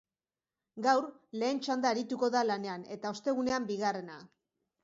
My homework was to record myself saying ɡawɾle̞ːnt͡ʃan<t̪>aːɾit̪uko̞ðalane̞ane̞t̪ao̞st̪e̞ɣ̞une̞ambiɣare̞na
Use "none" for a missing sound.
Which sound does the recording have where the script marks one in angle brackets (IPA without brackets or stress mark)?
d̪